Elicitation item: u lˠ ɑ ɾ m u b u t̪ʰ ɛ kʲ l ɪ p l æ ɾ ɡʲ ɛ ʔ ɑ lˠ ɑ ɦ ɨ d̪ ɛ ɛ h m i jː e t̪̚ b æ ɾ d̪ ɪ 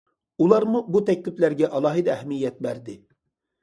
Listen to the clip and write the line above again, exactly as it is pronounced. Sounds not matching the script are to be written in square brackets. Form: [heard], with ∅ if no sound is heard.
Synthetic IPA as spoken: u lˠ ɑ ɾ m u b u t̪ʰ ɛ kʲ l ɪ p l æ ɾ ɡʲ ɛ ʔ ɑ lˠ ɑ ɦ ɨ d̪ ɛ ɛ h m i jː [ɛ] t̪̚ b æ ɾ d̪ ɪ